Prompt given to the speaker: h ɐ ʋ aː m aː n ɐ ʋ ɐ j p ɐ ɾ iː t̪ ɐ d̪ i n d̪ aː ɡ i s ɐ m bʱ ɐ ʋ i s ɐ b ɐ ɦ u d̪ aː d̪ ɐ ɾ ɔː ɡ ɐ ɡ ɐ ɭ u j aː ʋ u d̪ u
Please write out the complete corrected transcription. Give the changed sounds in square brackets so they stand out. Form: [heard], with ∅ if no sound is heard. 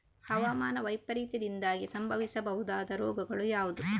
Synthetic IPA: h ɐ ʋ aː m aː n ɐ ʋ ɐ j p ɐ ɾ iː t̪ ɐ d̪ i n d̪ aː ɡ i s ɐ m bʱ ɐ ʋ i s ɐ b ɐ ɦ u d̪ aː d̪ ɐ ɾ ɔː ɡ ɐ ɡ ɐ ɭ u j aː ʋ u d̪ u